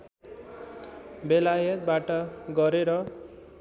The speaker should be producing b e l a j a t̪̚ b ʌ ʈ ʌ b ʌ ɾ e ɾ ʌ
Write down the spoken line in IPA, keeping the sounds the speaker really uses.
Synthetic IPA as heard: b e l a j ʌ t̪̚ b a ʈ ʌ ɡ ʌ ɾ e ɾ ʌ